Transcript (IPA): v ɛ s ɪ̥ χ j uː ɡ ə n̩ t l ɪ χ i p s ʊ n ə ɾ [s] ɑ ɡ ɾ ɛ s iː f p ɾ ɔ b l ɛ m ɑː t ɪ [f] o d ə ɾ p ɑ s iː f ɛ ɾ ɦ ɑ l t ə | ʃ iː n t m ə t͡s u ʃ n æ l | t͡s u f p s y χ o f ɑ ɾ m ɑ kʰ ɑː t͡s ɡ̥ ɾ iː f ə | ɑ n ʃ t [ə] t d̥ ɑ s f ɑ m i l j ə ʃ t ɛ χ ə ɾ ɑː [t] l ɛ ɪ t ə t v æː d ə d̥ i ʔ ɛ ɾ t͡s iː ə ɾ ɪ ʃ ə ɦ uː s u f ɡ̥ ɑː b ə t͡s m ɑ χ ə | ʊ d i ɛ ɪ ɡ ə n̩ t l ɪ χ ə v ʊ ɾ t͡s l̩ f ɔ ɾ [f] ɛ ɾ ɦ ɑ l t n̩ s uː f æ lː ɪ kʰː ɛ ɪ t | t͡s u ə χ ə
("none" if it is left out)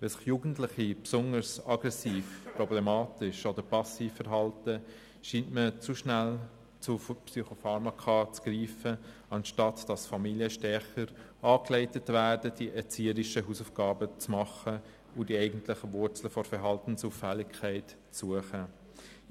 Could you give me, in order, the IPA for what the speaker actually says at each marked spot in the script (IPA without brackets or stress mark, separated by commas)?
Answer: s, ʃ, ɑ, k, f